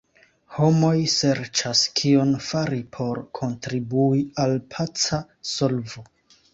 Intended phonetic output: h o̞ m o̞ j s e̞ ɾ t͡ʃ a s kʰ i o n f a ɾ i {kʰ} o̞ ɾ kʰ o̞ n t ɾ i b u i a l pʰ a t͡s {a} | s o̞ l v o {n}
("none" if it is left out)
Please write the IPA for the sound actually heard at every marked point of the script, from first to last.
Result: pʰ, a, none

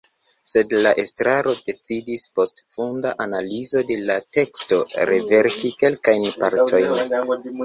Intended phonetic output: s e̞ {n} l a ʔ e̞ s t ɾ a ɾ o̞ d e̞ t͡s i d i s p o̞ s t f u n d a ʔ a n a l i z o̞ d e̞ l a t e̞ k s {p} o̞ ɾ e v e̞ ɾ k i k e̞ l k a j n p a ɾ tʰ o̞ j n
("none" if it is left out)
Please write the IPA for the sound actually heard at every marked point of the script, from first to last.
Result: d, t

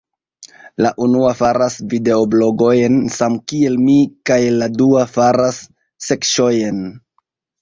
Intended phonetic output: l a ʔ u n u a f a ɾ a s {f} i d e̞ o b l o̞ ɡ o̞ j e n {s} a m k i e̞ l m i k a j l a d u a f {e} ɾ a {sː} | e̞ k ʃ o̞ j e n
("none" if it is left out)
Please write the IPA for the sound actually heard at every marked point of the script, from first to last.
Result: v, s, a, sː

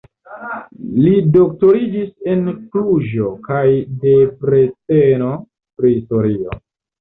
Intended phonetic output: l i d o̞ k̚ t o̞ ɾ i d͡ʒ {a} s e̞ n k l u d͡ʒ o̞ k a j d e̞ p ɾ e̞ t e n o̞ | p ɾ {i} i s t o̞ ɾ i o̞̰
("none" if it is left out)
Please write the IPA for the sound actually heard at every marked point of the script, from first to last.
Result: i, i

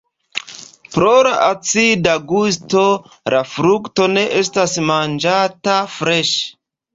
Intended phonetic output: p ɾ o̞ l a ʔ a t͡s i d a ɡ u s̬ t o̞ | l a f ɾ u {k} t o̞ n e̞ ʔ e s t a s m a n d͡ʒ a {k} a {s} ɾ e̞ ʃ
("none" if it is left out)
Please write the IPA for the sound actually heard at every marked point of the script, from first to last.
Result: k, t, f

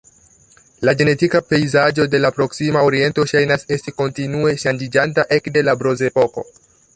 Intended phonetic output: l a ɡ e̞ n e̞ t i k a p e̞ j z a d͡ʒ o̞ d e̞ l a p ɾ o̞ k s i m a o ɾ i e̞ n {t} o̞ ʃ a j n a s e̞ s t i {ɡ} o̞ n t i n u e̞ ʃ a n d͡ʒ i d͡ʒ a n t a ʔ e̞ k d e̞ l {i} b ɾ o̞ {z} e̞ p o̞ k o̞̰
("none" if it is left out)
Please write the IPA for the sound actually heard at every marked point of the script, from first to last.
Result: t, k, a, z

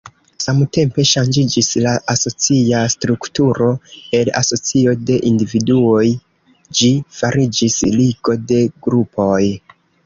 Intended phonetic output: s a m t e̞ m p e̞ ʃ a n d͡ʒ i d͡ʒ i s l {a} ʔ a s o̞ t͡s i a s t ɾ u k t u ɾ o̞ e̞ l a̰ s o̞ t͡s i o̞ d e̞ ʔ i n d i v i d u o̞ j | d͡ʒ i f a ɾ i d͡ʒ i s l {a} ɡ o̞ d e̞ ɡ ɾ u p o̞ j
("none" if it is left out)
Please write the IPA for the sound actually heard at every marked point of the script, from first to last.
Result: a, i

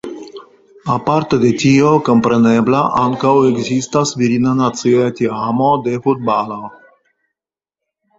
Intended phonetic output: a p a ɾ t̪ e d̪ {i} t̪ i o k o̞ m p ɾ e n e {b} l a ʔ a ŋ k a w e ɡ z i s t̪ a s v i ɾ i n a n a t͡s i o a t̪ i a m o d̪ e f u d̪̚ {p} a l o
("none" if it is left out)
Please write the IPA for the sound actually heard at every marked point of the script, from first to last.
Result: e, b, b

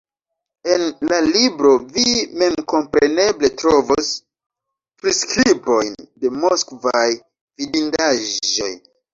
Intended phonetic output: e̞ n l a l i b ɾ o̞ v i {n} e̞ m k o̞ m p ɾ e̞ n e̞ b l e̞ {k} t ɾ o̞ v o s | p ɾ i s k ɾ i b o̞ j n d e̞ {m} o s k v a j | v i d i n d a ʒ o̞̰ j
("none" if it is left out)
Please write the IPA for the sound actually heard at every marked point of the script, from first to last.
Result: m, none, m

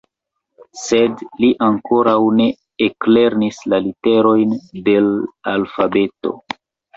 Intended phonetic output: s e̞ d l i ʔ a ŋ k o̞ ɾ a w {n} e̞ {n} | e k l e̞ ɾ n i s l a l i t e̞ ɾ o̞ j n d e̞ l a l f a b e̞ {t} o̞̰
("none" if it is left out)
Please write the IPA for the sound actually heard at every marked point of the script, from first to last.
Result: n, none, t

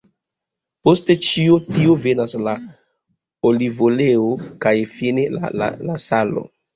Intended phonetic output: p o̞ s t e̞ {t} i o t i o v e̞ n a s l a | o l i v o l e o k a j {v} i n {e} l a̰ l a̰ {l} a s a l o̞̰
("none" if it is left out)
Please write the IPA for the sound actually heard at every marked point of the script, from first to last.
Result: t͡ʃ, f, e, l

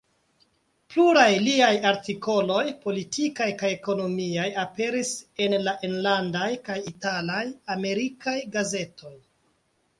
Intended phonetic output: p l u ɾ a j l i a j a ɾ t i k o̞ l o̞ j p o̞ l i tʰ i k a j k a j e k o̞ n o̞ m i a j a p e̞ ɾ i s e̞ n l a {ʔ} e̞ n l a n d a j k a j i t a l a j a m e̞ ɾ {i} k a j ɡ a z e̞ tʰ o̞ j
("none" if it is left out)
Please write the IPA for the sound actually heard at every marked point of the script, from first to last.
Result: ʔ, i

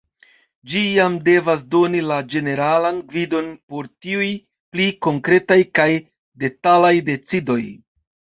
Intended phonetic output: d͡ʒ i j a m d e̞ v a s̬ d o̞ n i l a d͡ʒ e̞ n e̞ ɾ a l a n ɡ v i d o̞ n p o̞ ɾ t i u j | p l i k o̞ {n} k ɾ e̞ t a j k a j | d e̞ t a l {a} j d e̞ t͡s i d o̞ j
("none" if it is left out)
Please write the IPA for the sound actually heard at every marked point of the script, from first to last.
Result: ŋ, a

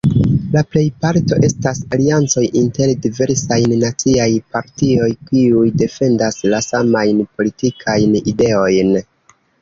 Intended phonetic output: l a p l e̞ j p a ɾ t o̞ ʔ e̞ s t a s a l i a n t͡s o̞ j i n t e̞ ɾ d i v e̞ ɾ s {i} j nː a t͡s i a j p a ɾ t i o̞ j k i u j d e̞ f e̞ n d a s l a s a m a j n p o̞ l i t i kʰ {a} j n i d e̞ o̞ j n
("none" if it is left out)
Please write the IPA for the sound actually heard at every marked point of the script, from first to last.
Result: a, a

